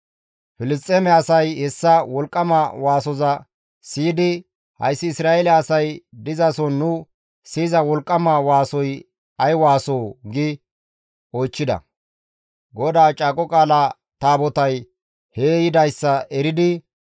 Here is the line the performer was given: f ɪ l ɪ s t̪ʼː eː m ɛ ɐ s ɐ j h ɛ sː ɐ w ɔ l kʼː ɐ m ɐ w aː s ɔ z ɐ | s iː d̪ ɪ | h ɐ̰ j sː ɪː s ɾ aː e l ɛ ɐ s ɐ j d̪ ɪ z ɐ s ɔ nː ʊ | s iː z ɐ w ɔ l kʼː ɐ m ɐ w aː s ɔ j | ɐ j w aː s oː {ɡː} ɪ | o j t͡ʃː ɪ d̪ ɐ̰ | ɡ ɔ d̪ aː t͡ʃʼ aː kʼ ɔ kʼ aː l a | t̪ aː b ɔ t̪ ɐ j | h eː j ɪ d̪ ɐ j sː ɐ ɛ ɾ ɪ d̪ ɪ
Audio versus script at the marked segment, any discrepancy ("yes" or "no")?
yes